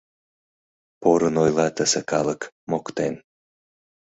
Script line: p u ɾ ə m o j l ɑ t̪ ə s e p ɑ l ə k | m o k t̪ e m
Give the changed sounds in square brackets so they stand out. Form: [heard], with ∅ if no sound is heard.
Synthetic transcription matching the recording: p [o] ɾ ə [n] o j l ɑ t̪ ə s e [k] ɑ l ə k | m o k t̪ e [n]